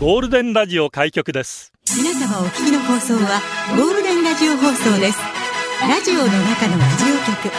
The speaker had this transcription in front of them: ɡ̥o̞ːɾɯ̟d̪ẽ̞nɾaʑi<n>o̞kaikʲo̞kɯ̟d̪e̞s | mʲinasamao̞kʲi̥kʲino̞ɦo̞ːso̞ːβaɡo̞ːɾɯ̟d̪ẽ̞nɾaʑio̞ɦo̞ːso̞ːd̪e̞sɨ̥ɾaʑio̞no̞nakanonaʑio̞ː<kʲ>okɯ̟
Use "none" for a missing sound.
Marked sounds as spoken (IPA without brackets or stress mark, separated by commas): none, kʲ